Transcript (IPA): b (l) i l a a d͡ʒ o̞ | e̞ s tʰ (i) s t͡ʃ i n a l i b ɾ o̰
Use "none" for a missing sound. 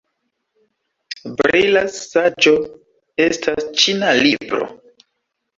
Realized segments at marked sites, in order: ɾ, a

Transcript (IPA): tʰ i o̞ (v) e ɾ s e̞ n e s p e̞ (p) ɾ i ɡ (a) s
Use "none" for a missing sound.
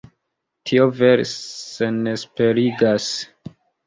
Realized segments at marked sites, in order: v, none, a

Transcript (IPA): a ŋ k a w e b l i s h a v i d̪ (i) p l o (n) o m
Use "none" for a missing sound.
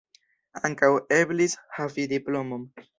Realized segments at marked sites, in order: i, m

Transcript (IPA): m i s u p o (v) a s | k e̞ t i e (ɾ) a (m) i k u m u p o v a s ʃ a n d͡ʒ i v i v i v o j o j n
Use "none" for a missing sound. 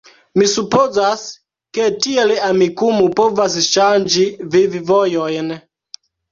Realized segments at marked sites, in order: z, l, m

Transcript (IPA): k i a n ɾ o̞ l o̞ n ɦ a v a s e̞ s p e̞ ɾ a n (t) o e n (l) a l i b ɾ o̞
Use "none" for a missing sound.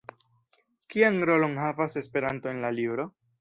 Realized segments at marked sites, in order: t, l

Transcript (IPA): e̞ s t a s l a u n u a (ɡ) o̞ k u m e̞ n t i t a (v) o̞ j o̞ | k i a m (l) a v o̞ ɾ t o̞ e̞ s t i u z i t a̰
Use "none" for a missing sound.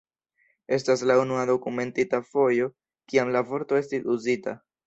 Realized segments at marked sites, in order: d, f, l

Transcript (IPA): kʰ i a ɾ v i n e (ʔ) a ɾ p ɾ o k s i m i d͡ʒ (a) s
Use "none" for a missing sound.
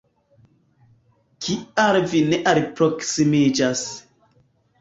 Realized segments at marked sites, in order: ʔ, a

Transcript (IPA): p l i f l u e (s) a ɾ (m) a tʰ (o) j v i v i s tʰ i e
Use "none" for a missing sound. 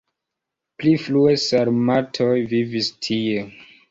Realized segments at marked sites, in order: s, m, o

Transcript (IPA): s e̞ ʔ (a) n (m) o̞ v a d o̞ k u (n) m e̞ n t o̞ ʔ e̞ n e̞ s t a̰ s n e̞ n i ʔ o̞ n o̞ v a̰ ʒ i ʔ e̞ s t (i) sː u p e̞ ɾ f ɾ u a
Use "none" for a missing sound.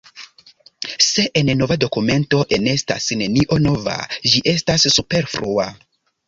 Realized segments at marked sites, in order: e, n, none, a

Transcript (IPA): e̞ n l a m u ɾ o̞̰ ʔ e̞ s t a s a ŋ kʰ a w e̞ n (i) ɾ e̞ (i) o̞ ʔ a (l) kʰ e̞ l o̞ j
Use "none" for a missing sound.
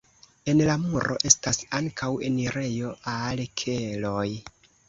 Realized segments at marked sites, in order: i, j, l

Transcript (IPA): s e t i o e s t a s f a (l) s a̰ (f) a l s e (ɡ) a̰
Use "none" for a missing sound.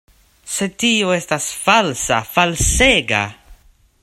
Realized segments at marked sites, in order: l, f, ɡ

